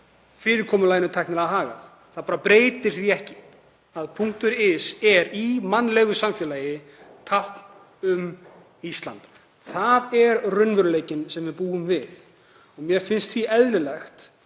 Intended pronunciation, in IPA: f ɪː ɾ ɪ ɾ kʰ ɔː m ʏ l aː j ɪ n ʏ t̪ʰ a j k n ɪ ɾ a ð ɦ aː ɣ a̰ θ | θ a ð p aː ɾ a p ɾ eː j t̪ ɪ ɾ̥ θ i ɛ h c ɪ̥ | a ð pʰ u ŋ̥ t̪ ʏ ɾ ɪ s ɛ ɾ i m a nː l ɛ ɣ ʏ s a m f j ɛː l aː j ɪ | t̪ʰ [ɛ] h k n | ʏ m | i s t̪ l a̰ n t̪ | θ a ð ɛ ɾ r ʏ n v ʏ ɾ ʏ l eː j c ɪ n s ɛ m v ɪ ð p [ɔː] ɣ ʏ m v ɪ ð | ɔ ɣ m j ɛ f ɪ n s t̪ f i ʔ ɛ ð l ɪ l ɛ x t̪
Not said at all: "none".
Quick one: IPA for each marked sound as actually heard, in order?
a, uː

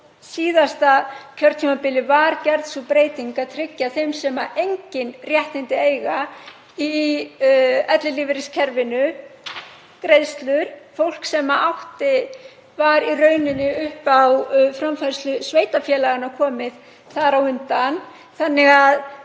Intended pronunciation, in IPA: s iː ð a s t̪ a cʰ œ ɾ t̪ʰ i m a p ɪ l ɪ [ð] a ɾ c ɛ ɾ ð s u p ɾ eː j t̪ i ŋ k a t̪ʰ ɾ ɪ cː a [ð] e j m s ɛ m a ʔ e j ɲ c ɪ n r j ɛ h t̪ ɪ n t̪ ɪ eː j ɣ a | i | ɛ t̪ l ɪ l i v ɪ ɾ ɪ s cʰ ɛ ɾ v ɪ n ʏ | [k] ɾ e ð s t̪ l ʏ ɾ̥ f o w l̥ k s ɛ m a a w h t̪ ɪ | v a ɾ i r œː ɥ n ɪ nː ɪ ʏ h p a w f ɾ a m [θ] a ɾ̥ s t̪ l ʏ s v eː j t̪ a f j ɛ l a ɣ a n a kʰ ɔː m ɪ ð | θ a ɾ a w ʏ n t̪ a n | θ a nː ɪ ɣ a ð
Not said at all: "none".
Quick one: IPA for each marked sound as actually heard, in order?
v, θ, k, f

